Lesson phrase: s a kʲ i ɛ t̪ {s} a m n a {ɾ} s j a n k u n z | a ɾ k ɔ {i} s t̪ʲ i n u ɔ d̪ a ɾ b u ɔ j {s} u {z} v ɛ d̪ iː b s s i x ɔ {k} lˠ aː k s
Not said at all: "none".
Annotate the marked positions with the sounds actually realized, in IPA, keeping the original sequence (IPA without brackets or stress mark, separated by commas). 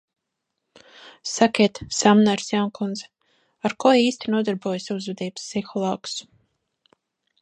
s, ɾ, iː, s, z, none